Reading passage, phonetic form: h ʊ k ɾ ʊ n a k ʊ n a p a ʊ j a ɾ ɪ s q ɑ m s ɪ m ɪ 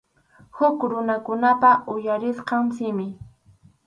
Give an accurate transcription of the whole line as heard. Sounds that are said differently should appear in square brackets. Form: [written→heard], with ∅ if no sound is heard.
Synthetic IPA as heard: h ʊ k ɾ ʊ n a k ʊ n a p a ʊ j a ɾ ɪ s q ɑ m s ɪ m ɪ